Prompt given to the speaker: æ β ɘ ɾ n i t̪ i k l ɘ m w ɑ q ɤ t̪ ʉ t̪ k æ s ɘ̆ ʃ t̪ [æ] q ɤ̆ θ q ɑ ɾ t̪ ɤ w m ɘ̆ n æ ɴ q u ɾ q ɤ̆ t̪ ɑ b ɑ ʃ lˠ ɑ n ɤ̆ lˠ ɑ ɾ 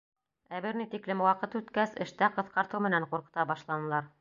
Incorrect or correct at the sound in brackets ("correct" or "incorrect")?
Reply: correct